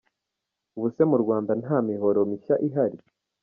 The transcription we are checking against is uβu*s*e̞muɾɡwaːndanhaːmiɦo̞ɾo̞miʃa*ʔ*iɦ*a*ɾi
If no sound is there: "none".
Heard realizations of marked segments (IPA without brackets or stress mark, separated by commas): s, ʔ, a